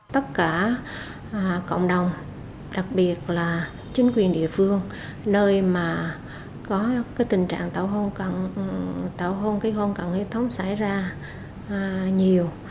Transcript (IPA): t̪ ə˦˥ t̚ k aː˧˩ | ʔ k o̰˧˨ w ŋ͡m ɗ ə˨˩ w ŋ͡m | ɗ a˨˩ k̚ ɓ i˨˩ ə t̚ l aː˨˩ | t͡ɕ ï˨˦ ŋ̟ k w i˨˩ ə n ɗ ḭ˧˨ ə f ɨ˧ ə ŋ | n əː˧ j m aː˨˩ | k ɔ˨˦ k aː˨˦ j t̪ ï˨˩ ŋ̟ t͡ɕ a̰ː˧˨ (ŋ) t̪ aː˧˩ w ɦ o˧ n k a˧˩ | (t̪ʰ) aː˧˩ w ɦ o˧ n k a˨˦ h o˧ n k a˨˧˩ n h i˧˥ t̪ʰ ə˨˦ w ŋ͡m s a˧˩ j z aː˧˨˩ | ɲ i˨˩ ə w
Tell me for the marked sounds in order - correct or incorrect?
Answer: correct, incorrect

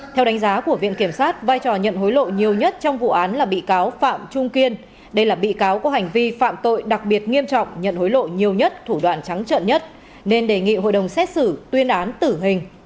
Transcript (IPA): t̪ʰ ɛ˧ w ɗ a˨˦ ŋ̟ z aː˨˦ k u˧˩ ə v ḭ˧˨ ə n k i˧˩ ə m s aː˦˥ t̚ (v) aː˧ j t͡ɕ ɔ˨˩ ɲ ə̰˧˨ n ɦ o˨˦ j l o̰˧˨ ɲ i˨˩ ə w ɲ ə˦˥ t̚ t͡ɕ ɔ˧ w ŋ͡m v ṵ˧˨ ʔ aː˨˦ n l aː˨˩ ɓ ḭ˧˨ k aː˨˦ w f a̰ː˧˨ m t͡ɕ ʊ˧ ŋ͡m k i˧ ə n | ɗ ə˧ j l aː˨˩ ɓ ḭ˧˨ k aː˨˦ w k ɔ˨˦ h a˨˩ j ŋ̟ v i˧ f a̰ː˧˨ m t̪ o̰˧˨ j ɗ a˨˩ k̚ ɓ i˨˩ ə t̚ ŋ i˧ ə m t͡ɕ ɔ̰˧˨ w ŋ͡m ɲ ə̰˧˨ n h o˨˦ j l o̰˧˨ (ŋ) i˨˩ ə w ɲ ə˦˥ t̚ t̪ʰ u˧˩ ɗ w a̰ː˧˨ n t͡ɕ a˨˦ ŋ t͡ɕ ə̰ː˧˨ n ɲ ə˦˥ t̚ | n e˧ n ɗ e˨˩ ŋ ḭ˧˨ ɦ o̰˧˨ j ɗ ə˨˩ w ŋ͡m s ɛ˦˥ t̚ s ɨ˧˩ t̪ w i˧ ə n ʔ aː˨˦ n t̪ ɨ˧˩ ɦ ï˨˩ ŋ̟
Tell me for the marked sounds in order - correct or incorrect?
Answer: correct, incorrect

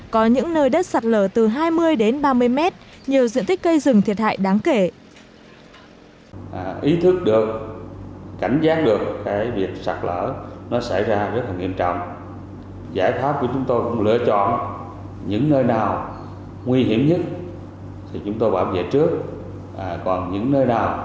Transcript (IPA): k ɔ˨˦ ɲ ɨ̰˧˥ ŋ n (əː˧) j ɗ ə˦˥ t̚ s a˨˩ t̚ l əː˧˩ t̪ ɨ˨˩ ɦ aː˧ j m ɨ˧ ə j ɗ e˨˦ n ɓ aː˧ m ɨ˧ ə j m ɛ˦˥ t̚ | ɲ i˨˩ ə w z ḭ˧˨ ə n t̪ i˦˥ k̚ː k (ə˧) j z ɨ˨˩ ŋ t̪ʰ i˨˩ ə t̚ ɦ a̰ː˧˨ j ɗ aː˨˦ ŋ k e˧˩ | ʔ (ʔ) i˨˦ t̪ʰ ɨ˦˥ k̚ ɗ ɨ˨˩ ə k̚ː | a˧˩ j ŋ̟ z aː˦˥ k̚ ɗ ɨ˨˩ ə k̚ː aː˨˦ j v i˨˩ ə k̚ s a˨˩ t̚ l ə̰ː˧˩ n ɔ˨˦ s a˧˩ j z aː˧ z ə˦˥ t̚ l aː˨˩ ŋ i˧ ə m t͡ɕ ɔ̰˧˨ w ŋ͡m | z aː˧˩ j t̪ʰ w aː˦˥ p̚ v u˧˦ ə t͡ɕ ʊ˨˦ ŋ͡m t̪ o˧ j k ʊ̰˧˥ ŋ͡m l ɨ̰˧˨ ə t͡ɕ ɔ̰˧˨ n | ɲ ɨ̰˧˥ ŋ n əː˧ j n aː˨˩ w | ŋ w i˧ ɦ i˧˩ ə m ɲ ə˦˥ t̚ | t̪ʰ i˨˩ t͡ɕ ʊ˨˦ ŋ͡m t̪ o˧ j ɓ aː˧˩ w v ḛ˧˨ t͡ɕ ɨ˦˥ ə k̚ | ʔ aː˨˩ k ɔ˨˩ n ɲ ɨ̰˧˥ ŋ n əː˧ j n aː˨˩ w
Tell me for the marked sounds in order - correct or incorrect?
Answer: correct, correct, correct

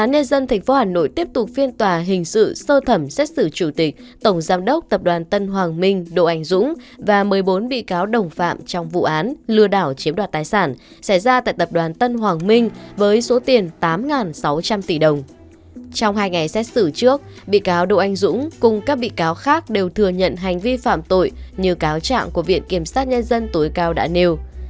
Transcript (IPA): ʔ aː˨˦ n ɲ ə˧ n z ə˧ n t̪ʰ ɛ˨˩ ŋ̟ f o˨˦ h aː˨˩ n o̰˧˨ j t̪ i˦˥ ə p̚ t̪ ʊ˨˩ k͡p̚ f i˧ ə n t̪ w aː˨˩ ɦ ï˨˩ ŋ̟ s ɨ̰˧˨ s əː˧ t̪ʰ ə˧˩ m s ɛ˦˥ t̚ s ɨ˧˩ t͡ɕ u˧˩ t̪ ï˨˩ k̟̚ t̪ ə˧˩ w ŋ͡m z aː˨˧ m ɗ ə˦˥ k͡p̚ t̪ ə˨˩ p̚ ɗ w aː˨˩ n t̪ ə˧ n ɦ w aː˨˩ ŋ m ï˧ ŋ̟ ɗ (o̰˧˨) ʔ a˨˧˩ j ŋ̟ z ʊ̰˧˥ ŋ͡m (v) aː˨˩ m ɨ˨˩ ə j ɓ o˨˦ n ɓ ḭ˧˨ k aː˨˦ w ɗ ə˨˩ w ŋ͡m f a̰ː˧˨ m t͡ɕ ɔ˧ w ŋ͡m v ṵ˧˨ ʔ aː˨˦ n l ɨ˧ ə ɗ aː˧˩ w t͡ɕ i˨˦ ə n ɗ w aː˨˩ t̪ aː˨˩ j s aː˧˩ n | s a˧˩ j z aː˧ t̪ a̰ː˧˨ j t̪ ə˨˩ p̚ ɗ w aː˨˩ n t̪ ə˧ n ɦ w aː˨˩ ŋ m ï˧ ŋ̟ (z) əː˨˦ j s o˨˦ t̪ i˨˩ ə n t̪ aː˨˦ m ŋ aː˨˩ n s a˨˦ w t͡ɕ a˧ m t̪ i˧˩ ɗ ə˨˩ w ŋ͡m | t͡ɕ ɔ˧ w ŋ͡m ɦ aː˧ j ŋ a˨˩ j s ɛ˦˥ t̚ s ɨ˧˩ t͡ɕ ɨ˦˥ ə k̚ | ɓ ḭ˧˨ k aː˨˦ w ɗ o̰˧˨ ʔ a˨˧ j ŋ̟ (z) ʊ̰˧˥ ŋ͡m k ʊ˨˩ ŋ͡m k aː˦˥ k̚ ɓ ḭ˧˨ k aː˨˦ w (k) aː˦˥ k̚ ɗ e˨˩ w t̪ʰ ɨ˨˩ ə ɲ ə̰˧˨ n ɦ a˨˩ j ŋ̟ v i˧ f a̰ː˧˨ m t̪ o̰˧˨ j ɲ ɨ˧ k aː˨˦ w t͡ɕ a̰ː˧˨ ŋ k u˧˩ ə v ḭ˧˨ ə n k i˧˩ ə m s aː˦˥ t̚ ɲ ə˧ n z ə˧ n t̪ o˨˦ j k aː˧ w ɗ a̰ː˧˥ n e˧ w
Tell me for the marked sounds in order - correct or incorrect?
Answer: correct, correct, incorrect, correct, incorrect

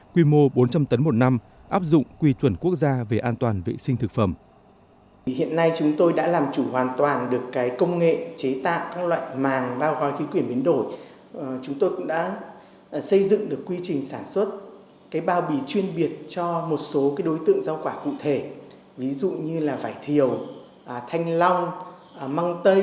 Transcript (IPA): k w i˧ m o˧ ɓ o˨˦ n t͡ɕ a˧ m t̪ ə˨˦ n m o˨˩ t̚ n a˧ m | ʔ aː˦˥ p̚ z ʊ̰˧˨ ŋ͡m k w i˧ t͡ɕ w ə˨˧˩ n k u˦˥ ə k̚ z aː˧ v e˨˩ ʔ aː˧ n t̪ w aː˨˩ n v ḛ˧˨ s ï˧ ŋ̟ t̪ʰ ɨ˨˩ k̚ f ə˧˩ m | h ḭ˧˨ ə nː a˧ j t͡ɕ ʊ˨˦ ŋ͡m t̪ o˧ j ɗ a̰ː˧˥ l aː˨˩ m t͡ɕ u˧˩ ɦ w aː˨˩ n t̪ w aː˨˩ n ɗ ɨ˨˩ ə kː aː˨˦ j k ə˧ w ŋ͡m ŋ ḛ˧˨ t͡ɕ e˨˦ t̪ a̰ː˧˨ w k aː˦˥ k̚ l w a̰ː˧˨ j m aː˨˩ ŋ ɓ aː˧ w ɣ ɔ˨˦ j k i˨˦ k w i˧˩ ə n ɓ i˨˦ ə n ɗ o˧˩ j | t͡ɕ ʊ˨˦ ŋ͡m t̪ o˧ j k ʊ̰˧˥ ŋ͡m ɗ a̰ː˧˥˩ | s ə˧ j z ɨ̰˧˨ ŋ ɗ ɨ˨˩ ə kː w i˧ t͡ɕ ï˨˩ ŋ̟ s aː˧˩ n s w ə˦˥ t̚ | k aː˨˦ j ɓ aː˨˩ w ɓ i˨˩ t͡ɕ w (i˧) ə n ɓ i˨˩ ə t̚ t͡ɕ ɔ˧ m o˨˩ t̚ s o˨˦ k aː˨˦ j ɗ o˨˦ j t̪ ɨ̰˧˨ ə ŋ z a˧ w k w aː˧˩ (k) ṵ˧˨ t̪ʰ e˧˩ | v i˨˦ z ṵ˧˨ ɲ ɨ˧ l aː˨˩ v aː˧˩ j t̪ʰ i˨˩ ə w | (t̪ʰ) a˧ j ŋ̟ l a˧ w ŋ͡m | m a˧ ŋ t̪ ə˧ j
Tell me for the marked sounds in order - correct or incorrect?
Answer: correct, correct, correct

